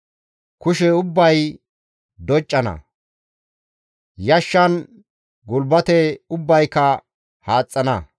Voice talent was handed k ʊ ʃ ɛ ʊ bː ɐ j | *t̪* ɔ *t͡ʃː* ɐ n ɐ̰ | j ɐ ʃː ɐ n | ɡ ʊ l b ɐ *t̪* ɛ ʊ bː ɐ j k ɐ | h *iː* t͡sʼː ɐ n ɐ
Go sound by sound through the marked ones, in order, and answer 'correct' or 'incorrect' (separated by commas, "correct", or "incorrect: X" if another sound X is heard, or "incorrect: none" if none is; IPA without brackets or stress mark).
incorrect: d̪, incorrect: t͡ʃʼː, correct, incorrect: aː